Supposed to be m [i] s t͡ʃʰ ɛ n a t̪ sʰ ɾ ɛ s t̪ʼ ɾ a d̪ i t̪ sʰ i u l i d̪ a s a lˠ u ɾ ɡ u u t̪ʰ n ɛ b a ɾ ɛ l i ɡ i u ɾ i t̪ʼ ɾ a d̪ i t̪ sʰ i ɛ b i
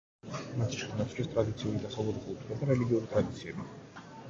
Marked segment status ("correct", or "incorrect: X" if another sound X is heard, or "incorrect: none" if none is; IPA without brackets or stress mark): incorrect: a